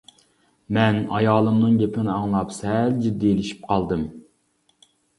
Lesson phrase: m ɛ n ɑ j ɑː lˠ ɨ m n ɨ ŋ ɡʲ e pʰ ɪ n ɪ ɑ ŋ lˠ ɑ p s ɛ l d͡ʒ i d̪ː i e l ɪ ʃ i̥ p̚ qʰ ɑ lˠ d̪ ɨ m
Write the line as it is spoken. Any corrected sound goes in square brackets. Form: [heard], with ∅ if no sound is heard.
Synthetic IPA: m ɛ n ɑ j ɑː lˠ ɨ m n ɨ ŋ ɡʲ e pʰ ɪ n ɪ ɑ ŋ lˠ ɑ p s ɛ l d͡ʒ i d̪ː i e l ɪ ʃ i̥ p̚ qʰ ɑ lˠ d̪ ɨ m